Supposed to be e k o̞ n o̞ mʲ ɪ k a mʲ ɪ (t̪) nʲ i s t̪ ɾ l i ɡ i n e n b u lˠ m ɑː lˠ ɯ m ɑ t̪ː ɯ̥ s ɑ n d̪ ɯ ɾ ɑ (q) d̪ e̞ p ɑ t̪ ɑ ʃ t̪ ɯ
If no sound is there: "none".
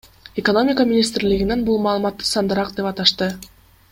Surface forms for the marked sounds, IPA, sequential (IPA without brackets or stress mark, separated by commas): none, q